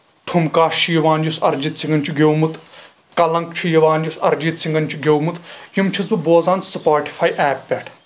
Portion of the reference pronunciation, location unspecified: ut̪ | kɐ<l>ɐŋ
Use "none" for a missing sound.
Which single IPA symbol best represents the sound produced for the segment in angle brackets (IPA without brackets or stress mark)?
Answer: l